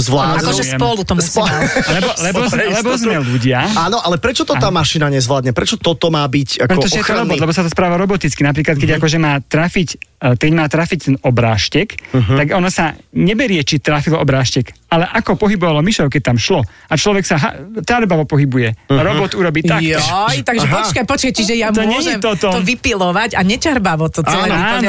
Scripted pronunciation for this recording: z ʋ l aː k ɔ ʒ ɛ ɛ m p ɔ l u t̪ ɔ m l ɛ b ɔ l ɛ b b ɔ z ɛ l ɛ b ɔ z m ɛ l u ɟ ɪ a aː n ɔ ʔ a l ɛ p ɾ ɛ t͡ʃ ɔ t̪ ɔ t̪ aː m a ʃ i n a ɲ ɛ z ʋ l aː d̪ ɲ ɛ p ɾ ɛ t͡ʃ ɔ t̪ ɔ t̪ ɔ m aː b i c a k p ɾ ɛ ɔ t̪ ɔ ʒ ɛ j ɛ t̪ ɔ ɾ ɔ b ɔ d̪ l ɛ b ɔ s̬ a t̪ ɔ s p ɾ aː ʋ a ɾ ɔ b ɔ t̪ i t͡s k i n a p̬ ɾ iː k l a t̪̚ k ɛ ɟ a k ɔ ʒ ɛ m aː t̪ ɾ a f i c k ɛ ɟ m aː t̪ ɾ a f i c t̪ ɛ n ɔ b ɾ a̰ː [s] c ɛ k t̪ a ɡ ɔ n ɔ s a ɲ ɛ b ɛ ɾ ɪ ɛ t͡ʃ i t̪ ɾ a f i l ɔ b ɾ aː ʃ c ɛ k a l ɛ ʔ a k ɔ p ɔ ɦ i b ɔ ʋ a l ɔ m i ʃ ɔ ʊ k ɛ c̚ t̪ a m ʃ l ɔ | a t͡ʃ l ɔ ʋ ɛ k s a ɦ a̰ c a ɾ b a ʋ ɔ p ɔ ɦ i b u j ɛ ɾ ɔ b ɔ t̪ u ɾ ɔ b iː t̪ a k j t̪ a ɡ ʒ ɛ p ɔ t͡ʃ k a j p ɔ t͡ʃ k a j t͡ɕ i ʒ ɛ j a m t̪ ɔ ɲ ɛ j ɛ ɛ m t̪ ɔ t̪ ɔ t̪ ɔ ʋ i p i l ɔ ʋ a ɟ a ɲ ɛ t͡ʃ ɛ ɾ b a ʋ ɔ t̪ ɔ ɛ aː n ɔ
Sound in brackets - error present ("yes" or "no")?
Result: yes